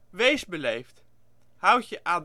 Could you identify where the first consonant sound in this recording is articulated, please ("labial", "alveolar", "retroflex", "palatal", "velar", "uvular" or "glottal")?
labial